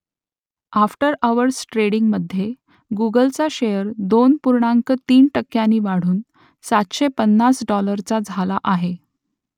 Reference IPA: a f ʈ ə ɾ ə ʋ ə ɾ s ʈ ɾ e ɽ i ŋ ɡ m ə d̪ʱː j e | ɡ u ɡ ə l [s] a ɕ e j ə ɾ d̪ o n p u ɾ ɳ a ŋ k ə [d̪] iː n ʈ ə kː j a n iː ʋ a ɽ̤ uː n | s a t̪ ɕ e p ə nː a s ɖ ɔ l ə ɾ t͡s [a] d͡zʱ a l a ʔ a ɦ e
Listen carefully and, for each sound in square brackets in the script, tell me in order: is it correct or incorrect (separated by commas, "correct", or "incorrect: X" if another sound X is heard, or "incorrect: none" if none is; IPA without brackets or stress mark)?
incorrect: t͡s, incorrect: t̪, correct